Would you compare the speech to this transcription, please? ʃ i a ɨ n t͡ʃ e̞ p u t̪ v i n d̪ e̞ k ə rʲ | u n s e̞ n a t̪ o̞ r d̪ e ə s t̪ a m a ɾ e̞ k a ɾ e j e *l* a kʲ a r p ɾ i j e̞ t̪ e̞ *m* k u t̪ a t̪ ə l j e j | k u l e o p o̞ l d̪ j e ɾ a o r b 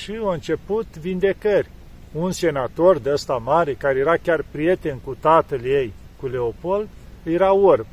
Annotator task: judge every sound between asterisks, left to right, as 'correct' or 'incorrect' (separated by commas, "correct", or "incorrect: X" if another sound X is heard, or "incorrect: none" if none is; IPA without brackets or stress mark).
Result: incorrect: ɾ, incorrect: n